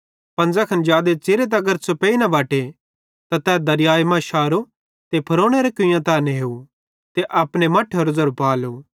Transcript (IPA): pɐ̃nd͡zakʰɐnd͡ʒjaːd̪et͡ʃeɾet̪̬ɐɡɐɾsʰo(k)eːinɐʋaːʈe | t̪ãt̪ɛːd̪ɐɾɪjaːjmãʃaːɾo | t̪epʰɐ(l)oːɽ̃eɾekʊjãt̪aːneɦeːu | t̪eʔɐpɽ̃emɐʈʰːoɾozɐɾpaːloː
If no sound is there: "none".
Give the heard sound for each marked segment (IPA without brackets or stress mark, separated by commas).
p, ɾ